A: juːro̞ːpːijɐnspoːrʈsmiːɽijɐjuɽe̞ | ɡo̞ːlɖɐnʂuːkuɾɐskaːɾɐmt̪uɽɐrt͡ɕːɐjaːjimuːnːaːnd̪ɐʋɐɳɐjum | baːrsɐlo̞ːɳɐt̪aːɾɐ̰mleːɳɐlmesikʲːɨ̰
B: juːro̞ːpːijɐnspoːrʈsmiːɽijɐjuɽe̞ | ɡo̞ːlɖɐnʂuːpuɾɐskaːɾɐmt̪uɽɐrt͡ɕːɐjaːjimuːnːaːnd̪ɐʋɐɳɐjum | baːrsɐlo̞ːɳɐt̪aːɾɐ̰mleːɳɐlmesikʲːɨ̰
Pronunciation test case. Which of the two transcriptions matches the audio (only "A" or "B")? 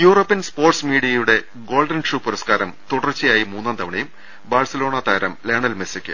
B